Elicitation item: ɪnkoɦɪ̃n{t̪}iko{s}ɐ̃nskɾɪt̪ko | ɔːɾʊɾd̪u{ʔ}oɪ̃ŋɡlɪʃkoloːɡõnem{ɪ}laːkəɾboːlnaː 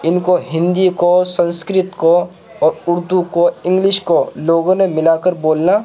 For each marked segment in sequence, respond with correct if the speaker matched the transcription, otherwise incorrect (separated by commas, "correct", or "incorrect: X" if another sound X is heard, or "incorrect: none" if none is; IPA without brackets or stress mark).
incorrect: d̪, correct, incorrect: k, correct